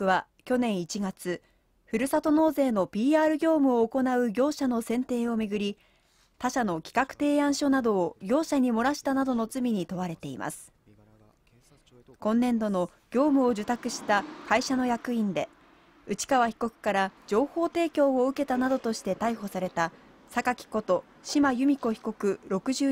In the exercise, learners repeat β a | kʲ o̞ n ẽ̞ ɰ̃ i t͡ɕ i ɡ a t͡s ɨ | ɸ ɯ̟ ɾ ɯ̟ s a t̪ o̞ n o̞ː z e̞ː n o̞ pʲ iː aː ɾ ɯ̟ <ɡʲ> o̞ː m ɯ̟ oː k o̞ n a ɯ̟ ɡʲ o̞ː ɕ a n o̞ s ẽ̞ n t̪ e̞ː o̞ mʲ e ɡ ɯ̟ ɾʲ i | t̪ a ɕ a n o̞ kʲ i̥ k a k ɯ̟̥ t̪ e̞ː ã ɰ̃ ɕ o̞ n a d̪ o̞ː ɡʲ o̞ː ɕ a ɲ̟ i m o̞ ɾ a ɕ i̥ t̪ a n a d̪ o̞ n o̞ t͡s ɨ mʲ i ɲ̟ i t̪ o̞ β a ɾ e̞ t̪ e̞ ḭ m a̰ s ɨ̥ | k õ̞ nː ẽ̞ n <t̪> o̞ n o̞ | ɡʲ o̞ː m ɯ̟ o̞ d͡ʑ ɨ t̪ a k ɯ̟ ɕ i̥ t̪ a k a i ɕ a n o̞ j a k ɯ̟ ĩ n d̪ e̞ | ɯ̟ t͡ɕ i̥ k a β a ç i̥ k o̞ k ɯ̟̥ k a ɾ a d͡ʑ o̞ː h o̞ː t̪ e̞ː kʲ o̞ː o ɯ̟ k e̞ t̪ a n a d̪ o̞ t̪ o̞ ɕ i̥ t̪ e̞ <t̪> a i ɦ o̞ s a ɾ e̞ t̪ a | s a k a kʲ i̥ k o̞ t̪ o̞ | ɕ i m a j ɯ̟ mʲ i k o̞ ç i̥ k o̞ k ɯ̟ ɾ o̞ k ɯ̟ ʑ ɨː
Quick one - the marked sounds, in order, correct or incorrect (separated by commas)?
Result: correct, incorrect, correct